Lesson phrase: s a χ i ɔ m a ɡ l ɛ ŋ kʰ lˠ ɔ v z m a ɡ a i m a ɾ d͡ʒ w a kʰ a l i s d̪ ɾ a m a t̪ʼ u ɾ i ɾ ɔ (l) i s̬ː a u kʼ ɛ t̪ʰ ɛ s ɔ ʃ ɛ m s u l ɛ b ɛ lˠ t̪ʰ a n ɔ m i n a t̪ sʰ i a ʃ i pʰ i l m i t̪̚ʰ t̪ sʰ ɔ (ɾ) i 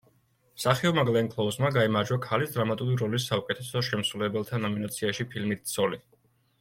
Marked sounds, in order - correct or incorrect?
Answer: correct, incorrect: l

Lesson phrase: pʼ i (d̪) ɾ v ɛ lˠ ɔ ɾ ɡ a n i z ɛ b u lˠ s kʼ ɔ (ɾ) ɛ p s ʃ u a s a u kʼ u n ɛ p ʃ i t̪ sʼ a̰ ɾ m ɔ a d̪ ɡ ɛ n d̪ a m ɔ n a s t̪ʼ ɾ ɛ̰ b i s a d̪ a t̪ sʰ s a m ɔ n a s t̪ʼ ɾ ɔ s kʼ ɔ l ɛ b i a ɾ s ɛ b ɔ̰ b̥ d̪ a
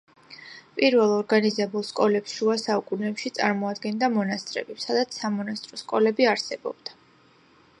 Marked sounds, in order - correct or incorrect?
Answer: incorrect: none, incorrect: l

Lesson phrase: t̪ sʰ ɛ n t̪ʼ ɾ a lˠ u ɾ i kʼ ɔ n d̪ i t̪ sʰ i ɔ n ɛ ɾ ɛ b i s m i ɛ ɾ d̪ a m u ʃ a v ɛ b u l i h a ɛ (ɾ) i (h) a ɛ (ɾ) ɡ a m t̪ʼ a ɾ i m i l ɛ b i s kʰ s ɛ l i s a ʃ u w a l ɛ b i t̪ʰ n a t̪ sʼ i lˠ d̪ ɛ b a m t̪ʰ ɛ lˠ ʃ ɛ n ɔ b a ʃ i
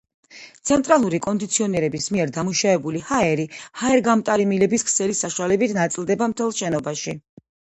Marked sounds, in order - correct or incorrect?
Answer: correct, correct, correct

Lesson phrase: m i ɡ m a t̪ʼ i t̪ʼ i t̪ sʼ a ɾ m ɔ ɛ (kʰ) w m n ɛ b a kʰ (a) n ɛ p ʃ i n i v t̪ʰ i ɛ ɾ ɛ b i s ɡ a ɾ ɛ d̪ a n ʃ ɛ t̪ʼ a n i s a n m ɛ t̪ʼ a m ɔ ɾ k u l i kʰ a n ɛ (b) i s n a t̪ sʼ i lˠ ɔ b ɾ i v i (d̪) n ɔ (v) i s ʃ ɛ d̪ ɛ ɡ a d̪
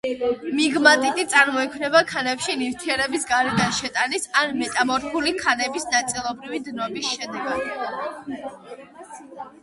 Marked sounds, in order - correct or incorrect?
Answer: correct, correct, correct, correct, incorrect: b

